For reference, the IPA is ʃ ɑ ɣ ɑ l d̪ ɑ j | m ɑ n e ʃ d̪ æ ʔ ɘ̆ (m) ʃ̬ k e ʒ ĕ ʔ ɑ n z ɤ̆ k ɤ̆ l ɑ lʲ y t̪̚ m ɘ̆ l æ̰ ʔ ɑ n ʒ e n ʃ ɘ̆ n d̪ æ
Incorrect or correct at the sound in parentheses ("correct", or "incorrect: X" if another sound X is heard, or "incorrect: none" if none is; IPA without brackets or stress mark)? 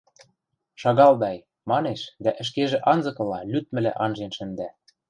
incorrect: none